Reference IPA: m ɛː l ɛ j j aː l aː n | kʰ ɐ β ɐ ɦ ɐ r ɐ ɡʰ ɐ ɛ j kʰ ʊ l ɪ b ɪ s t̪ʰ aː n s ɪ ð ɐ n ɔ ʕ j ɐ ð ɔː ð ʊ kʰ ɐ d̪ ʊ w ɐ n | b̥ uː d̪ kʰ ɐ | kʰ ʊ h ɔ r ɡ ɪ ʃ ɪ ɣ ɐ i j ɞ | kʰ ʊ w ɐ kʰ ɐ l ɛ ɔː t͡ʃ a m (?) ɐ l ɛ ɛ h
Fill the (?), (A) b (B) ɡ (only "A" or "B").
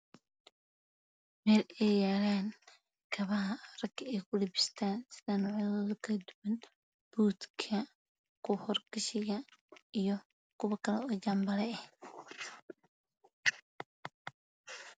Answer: A